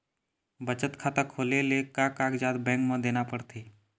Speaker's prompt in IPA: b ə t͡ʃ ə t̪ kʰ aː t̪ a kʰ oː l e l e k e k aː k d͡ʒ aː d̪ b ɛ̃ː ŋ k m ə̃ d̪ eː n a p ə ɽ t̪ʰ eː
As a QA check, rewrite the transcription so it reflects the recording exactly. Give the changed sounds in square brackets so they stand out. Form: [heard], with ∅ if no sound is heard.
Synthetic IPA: b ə t͡ʃ ə t̪ kʰ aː t̪ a kʰ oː l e l e k [a] k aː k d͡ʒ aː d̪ b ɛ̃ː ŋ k m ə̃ d̪ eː n a p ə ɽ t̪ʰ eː